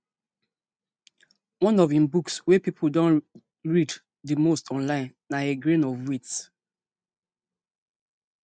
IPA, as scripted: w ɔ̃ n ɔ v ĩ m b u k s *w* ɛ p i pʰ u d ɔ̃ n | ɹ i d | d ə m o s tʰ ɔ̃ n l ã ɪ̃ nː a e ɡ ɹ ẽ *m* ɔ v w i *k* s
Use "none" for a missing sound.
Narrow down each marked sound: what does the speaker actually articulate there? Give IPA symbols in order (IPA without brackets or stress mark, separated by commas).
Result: w, n, t